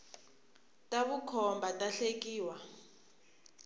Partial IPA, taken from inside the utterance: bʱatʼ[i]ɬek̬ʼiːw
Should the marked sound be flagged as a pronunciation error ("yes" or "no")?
yes